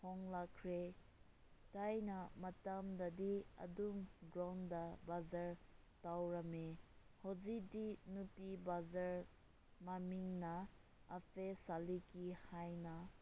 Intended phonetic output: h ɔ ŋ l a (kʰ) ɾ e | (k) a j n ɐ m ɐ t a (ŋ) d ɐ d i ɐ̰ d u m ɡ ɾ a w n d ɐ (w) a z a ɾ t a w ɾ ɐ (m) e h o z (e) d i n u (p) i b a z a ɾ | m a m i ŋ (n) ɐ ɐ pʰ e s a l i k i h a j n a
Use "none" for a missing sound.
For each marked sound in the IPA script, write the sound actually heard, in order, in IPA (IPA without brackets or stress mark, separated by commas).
kʰ, t, m, b, m, i, p, n